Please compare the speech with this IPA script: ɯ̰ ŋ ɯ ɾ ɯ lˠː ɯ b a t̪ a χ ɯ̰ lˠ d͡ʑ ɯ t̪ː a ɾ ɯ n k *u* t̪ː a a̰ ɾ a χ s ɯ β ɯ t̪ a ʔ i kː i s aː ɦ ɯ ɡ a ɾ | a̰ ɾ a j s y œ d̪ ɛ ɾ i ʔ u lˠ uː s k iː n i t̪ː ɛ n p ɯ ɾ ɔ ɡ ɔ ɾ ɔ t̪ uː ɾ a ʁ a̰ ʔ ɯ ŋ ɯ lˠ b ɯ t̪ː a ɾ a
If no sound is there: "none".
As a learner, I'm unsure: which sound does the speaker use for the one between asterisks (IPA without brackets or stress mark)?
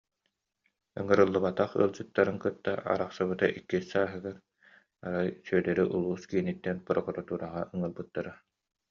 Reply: ɯ